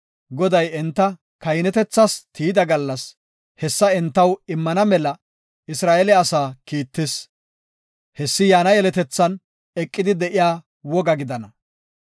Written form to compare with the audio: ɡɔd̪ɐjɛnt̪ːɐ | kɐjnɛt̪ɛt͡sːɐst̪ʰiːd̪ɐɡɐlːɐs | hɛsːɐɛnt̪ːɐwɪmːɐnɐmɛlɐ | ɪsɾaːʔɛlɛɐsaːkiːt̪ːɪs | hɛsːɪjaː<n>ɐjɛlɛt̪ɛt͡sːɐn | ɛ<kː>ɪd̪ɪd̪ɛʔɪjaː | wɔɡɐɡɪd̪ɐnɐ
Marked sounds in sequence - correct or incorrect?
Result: correct, incorrect: kʼː

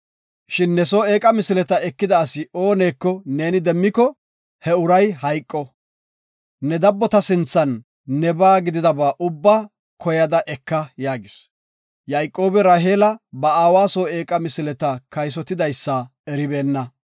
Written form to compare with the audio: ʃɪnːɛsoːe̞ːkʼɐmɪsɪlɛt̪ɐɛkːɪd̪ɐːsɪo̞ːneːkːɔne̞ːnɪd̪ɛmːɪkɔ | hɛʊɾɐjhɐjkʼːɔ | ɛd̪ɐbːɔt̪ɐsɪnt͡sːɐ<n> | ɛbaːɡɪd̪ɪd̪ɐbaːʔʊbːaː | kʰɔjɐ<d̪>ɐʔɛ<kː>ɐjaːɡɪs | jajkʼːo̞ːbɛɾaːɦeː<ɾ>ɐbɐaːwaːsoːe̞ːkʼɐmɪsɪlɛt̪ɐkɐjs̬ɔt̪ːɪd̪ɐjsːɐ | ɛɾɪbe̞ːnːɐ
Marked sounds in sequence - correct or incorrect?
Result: incorrect: nː, correct, correct, incorrect: l

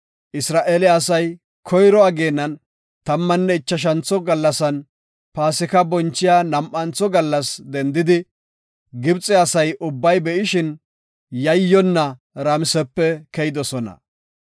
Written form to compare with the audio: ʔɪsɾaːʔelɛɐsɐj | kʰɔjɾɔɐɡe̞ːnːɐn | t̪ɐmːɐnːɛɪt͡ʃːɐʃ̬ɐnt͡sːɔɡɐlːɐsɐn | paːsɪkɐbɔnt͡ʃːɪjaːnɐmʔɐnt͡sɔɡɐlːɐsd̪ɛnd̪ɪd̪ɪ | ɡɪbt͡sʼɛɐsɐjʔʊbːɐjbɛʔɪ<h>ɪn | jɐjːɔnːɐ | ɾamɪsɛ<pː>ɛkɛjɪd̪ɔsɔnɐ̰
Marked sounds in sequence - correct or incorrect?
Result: incorrect: ʃ, correct

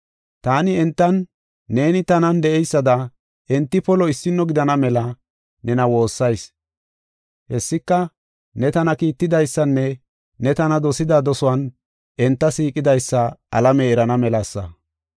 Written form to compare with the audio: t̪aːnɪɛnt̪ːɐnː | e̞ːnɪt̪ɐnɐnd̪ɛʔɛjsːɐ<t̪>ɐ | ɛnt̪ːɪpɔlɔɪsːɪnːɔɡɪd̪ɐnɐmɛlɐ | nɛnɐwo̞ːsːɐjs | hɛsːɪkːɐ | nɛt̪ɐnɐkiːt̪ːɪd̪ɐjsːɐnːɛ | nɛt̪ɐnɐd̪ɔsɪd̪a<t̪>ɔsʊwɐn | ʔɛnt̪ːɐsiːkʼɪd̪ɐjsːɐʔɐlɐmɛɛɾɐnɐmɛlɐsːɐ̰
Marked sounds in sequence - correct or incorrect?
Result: incorrect: d̪, incorrect: d̪

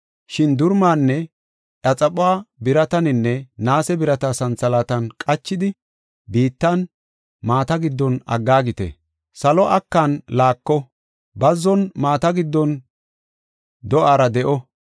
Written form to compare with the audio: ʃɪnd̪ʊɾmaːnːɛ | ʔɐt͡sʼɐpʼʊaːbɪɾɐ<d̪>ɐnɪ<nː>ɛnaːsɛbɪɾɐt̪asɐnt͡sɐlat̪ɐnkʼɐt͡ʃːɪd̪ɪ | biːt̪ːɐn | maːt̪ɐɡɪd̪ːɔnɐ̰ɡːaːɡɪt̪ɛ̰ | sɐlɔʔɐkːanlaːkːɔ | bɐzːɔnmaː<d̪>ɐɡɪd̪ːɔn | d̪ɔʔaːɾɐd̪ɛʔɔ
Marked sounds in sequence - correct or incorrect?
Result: incorrect: t̪, correct, incorrect: t̪

